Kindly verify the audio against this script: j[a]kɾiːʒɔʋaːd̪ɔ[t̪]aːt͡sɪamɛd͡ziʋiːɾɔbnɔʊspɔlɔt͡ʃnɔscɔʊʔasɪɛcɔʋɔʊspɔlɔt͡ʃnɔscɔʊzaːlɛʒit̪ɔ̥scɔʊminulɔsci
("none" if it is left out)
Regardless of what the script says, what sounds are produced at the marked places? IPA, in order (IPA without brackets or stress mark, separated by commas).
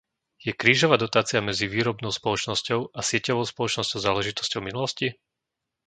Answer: ɛ, t̪